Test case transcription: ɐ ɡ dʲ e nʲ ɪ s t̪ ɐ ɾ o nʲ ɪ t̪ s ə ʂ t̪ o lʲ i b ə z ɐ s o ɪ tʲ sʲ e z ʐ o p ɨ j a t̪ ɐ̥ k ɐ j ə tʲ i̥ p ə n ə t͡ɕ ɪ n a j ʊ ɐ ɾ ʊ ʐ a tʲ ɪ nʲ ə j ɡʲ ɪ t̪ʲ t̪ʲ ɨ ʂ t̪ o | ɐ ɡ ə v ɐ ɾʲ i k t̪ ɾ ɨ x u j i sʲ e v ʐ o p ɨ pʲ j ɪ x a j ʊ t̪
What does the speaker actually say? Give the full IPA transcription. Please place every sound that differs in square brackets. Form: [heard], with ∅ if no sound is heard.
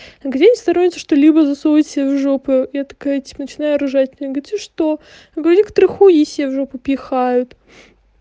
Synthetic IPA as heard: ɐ ɡ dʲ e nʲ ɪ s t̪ ɐ ɾ o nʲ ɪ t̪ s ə ʂ t̪ o lʲ i b ə z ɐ s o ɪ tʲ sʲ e [v] ʐ o p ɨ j a t̪ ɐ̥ k [a] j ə tʲ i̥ p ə n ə t͡ɕ ɪ n a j ʊ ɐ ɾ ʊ ʐ a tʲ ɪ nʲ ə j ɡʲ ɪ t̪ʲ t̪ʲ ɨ ʂ t̪ o | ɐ ɡ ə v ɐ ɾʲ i k t̪ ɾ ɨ x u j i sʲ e v ʐ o p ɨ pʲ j ɪ x a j ʊ t̪